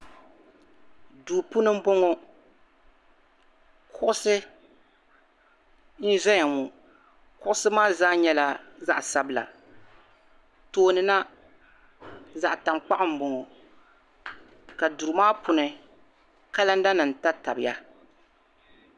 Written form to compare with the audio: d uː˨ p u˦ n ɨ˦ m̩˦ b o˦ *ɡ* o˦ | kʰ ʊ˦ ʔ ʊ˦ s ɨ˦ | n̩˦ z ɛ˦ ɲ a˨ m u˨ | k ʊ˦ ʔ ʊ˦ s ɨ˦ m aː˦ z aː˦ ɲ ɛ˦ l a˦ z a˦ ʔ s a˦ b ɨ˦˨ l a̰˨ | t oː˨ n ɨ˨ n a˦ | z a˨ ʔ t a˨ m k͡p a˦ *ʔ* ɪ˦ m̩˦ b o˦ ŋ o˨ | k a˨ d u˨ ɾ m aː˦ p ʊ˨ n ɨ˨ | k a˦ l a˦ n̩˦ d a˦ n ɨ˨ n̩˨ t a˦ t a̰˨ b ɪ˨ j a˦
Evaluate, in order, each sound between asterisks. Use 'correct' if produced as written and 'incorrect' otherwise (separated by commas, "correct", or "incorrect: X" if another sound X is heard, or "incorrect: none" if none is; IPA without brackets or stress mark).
incorrect: ŋ, correct